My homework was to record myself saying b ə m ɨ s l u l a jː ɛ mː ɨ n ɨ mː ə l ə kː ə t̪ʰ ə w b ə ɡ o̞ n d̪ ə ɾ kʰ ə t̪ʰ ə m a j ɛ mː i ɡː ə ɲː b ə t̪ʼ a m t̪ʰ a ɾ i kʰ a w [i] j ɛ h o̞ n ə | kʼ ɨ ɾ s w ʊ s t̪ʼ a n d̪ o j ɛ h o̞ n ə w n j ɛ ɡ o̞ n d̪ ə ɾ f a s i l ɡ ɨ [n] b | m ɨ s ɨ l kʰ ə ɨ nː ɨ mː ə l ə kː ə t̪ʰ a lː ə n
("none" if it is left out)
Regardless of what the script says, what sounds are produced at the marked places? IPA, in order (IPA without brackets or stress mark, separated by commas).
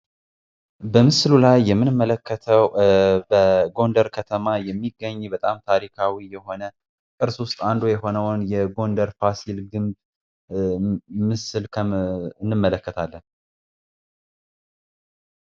i, m